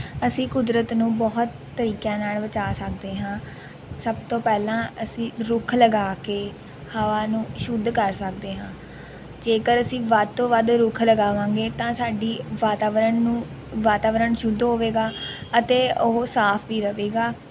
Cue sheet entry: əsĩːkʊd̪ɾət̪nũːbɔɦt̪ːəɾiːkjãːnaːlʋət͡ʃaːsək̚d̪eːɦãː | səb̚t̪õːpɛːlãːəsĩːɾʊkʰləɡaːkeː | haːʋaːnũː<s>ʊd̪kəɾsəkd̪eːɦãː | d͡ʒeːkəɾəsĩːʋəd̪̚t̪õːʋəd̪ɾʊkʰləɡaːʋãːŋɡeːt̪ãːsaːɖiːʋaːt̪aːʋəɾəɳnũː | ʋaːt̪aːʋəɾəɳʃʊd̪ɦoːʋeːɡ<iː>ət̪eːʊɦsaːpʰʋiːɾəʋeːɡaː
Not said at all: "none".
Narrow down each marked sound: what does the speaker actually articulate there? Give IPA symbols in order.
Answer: ʃ, aː

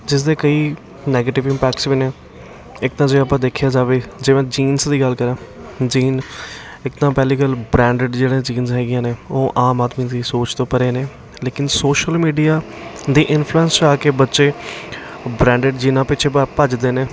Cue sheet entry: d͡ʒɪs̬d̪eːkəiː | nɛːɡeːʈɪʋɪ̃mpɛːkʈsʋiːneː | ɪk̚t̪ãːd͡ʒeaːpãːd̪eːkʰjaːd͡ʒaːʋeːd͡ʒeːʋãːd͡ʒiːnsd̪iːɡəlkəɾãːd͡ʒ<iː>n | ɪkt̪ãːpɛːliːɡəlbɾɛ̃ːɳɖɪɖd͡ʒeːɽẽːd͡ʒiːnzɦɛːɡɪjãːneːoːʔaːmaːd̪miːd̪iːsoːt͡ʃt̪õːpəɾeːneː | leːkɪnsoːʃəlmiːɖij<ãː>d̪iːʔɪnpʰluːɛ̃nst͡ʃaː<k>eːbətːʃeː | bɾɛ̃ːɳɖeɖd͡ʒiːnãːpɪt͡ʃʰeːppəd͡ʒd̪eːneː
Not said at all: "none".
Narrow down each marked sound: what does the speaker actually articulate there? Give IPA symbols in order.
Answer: iː, aː, k

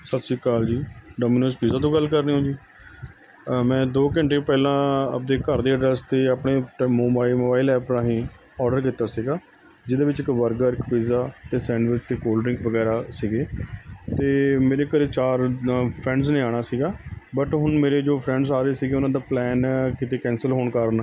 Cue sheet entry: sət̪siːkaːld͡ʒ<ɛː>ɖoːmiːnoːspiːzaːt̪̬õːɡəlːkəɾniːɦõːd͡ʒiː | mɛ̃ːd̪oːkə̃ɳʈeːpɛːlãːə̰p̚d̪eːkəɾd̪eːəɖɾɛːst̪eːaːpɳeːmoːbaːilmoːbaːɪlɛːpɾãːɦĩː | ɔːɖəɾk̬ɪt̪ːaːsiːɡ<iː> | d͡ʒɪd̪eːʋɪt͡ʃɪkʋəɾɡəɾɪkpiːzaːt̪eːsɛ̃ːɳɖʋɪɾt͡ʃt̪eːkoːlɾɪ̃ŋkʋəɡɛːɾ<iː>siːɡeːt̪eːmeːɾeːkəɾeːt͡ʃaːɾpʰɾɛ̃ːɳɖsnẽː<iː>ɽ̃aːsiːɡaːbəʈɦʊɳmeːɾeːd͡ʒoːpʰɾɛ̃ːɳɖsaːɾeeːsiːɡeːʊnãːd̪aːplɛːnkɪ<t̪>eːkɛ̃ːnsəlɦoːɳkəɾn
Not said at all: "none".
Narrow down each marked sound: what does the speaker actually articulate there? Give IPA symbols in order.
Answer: iː, aː, aː, aː, t̪

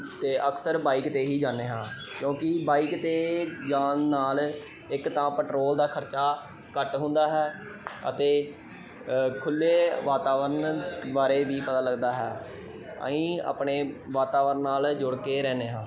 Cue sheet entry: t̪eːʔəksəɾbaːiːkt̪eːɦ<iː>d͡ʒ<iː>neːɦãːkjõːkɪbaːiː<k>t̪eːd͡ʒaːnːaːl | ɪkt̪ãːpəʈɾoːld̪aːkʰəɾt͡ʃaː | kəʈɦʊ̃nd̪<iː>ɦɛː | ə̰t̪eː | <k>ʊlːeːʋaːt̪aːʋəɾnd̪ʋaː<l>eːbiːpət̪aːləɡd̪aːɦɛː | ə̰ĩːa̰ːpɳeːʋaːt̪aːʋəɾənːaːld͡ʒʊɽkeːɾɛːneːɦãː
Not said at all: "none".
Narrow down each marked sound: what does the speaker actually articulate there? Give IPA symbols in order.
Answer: iː, aː, k, aː, kʰ, ɾ

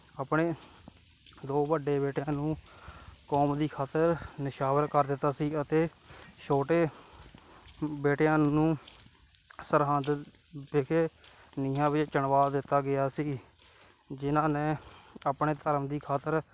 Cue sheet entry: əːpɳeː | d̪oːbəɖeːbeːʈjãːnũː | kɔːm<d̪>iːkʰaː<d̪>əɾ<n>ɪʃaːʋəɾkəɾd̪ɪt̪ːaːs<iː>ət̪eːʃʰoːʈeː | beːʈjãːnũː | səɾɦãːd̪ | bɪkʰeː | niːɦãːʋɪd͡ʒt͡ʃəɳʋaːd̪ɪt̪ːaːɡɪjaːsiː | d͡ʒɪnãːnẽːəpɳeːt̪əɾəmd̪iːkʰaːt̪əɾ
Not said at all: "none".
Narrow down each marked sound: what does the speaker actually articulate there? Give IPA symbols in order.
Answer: d̪, t̪, n, iː

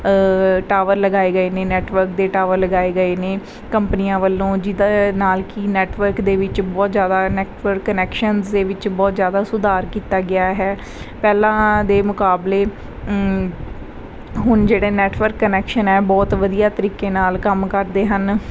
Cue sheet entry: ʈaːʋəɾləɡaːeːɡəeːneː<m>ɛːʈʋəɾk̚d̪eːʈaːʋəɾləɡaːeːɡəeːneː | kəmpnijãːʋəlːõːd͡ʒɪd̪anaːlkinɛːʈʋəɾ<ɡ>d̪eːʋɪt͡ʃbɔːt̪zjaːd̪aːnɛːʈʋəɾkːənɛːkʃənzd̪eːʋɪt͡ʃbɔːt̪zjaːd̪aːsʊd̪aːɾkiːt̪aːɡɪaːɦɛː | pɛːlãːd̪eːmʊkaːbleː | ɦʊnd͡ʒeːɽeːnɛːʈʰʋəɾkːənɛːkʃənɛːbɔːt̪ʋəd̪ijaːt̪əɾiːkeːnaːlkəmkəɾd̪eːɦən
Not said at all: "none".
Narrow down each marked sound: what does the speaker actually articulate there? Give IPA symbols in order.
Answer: n, k

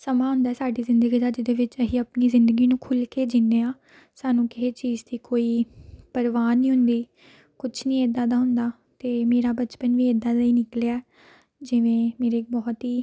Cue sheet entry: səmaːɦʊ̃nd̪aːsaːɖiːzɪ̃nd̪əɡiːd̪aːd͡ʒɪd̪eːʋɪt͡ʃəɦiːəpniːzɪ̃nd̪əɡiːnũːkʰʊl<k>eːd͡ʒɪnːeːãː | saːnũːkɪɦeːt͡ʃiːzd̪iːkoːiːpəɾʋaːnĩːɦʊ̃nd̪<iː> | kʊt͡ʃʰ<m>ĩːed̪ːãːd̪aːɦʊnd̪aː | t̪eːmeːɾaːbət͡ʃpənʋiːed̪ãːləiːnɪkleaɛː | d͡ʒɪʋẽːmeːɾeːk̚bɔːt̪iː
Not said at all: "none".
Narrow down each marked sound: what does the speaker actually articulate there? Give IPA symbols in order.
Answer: k, iː, n

